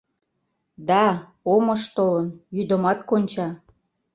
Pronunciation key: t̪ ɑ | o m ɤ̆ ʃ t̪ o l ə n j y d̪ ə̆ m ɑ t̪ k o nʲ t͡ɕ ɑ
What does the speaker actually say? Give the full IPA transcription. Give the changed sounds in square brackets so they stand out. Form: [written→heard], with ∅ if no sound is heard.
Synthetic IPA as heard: [t̪→d̪] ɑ | o m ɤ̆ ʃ t̪ o l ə n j y d̪ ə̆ m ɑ t̪ k o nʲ t͡ɕ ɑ